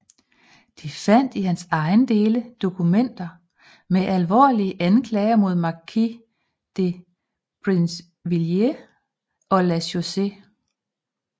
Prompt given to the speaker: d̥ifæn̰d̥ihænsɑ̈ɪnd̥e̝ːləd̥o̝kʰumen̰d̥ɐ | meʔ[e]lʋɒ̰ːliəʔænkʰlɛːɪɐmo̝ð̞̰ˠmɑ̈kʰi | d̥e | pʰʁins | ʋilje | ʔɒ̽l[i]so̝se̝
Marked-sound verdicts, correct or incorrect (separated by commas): incorrect, incorrect